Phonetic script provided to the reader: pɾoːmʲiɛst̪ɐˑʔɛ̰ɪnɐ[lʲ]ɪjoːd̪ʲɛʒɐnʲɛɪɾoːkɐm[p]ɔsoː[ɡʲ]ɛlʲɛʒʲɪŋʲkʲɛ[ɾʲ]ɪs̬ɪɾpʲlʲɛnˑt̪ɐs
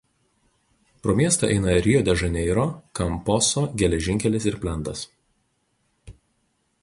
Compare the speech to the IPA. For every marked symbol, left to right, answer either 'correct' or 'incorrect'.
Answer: incorrect, correct, correct, incorrect

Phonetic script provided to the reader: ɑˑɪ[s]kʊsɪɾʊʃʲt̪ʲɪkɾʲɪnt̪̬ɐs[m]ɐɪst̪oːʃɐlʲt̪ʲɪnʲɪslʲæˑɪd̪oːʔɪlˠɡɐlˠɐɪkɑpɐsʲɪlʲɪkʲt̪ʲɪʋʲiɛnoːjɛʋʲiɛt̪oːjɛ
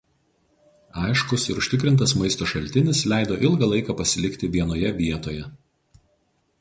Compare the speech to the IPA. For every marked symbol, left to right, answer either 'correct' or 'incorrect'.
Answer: incorrect, correct

